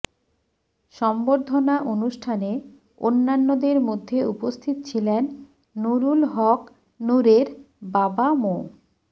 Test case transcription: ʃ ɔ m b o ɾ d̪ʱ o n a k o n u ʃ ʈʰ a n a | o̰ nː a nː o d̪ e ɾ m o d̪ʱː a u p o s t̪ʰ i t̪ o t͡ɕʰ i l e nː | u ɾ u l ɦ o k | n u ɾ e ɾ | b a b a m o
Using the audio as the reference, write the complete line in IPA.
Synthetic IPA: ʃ ɔ m b o ɾ d̪ʱ o n a ʔ o n u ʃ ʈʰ a n e | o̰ nː a nː o d̪ e ɾ m o d̪ʱː e u p o s t̪ʰ i t̪ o t͡ɕʰ i l e nː | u ɾ u l ɦ ɔ k | n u ɾ e ɾ | b a b a m o